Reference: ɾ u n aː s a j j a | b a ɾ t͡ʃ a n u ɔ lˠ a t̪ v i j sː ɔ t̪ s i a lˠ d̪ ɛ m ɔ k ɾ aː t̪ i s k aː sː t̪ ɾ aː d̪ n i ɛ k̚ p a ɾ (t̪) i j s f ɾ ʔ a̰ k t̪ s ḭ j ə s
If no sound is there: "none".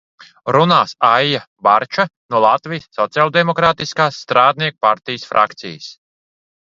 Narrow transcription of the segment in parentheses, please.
t̪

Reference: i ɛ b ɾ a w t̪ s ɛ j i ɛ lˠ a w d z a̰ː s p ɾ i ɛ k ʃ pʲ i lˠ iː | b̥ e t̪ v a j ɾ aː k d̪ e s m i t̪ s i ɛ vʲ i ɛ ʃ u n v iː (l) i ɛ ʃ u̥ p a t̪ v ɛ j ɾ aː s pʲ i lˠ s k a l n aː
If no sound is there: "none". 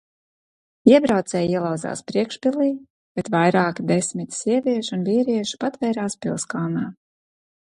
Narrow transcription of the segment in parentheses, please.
ɾ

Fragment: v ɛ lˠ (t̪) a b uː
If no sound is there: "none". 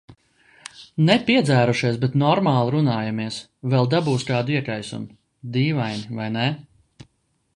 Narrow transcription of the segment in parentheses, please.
d̪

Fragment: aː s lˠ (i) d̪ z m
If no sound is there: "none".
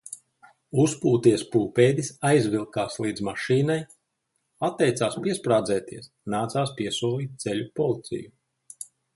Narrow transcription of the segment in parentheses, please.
iː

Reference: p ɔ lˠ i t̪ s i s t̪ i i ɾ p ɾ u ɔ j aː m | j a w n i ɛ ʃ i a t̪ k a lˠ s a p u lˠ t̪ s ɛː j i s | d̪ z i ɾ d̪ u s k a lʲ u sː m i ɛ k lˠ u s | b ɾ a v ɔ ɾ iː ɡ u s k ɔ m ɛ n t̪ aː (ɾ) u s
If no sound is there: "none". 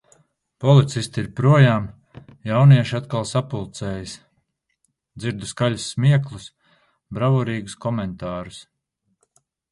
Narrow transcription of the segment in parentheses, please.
ɾ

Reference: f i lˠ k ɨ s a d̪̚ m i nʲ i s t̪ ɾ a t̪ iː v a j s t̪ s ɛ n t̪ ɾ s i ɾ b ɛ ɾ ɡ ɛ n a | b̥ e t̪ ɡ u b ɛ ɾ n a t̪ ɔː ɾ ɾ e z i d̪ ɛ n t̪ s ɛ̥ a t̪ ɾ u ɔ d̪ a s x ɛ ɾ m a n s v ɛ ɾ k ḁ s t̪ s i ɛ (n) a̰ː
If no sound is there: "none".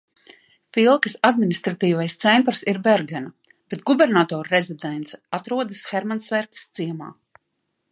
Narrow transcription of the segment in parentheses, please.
m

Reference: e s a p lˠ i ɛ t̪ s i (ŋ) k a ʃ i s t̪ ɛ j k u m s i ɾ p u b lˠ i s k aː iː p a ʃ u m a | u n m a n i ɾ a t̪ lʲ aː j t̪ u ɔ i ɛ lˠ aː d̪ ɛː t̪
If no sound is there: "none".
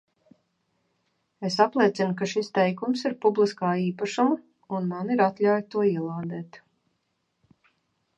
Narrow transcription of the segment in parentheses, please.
n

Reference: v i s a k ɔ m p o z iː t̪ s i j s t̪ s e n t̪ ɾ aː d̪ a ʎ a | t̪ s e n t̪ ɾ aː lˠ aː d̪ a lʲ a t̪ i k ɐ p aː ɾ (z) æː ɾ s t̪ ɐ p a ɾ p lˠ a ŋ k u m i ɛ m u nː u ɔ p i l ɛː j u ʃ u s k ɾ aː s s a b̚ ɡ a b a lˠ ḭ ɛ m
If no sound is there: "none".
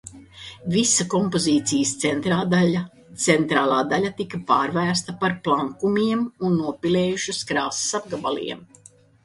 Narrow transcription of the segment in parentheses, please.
v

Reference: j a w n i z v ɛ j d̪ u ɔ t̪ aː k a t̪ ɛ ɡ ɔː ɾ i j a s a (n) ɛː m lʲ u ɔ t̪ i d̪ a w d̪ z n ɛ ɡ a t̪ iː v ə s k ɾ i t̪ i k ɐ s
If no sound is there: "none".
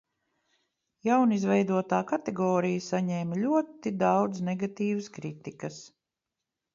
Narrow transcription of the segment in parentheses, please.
ɲ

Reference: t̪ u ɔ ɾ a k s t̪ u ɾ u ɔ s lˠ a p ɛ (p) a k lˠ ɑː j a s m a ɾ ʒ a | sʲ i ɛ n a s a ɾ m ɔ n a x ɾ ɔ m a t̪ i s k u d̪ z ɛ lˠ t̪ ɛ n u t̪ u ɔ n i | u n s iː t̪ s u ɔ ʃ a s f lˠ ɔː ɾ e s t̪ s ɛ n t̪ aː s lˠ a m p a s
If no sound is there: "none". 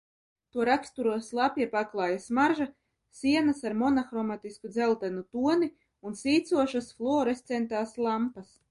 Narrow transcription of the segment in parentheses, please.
p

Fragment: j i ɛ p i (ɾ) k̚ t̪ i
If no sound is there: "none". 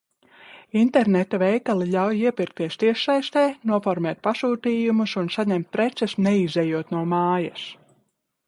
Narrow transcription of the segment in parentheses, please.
ɾ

